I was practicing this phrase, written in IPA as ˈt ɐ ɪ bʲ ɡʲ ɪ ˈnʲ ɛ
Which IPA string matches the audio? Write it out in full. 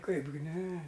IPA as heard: ˈk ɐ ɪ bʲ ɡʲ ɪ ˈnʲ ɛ